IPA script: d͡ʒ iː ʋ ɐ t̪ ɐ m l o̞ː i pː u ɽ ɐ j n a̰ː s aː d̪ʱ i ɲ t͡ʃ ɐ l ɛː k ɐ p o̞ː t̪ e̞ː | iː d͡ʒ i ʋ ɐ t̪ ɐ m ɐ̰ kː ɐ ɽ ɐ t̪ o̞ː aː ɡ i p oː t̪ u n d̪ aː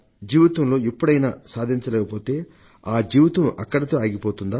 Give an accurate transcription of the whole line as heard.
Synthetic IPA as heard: d͡ʒ iː ʋ ɐ t̪ ɐ m l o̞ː i pː u ɽ ɐ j n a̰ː s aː d̪ʱ i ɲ t͡ʃ ɐ l ɛː k ɐ p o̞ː t̪ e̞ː | aː d͡ʒ iː ʋ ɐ t̪ ɐ m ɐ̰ kː ɐ ɽ ɐ t̪ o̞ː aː ɡ i p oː t̪ u n d̪ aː

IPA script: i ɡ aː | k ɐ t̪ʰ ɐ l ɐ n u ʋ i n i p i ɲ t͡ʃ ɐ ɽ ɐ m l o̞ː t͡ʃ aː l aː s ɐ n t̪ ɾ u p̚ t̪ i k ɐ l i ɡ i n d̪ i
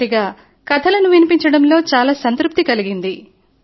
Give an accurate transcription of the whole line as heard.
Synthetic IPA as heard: i ɡ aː | k ɐ t̪ʰ ɐ l ɐ n u ʋ i n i p i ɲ t͡ʃ ɐ ɽ ɐ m l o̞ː t͡ʃ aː l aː s ɐ n t̪ ɾ u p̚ t̪ i k ɐ l i ɡ i n d̪ i

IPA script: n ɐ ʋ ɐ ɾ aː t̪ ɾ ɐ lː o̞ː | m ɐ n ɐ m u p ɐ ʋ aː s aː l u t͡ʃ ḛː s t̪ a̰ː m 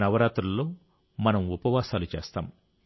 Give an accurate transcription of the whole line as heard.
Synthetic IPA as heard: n ɐ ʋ ɐ ɾ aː t̪ ɾ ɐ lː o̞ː | m ɐ n ɐ m u p ɐ ʋ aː s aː l u t͡ʃ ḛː s t̪ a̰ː m

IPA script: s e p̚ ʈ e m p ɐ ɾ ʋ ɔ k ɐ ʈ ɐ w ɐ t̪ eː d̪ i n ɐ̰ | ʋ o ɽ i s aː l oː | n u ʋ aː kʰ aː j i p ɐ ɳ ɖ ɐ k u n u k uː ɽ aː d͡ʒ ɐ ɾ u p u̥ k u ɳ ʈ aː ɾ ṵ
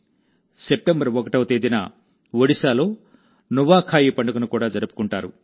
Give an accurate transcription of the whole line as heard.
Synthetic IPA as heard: s e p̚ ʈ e m b ɐ ɾ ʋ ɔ k ɐ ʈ ɐ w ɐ t̪ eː d̪ i n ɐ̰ | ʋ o ɽ i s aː l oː | n u ʋ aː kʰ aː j i p ɐ ɳ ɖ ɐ k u n u k uː ɽ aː d͡ʒ ɐ ɾ u p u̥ k u ɳ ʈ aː ɾ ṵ

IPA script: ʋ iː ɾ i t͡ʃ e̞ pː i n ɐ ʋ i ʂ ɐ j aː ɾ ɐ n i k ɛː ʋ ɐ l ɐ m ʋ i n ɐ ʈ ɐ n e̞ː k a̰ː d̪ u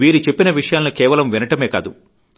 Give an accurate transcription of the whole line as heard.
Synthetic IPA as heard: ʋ iː ɾ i t͡ʃ e̞ pː i n ɐ ʋ i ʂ ɐ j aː l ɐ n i k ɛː ʋ ɐ l ɐ m ʋ i n ɐ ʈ ɐ m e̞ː k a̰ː d̪ u

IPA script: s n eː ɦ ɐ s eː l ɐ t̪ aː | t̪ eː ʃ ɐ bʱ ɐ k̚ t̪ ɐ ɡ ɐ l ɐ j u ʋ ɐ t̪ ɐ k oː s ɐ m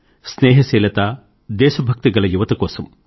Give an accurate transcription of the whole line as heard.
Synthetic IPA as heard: s n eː ɦ ɐ s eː l ɐ t̪ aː | d̪ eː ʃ ɐ bʱ ɐ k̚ t̪ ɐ ɡ ɐ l ɐ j u ʋ ɐ t̪ ɐ k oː s ɐ m

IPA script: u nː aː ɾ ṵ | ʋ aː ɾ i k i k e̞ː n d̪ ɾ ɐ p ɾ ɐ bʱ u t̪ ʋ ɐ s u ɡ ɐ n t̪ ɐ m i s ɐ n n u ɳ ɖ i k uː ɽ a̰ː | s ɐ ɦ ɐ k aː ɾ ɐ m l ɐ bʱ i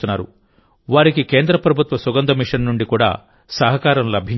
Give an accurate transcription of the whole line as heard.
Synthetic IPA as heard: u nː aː ɾ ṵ | ʋ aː ɾ i k i k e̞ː n d̪ ɾ ɐ p ɾ ɐ bʱ u t̪ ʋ ɐ s u ɡ ɐ n d̪ ɐ m i ʂ ɐ n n u ɳ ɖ i k uː ɽ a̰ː | s ɐ ɦ ɐ k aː ɾ ɐ m l ɐ bʱ i

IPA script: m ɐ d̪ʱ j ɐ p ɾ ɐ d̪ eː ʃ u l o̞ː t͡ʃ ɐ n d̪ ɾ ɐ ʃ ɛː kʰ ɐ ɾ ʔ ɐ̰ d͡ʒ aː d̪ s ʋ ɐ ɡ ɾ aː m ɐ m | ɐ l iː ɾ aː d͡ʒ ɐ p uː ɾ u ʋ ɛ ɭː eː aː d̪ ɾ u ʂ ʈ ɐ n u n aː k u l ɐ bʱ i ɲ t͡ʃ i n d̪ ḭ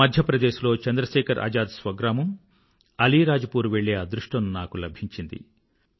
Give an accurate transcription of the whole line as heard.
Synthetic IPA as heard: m ɐ d̪ʱ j ɐ p ɾ ɐ d̪ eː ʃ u l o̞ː t͡ʃ ɐ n d̪ ɾ ɐ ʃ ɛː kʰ ɐ ɾ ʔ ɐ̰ d͡ʒ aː d̪ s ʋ ɐ ɡ ɾ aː m ɐ m | ɐ l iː ɾ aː d͡ʒ ɐ p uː ɾ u ʋ e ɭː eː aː d̪ ɾ u ʂ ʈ ɐ n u n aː k u l ɐ bʱ i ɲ t͡ʃ i n d̪ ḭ

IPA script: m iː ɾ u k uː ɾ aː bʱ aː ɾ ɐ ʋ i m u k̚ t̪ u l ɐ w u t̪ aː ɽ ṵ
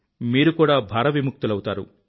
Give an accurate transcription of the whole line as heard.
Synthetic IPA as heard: m iː ɾ u k uː ɽ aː bʱ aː ɾ ɐ ʋ i m u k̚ t̪ u l ɐ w u t̪ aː ɾ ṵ

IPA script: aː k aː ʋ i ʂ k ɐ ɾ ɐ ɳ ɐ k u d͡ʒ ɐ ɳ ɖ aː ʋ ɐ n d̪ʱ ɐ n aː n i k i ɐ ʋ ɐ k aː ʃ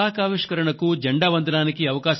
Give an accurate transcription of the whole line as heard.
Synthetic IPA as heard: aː k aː ʋ i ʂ k ɐ ɾ ɐ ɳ ɐ k u d͡ʒ ɐ ɳ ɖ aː ʋ ɐ n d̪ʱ ɐ n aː n i k i ɐ ʋ ɐ k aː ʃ

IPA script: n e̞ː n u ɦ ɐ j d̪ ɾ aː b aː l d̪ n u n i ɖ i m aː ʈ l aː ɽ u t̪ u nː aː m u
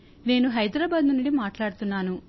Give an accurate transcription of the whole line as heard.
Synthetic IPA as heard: n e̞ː n u ɦ ɐ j d̪ ɾ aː b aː d̪ n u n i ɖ i m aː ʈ l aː ɽ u t̪ u nː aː n u

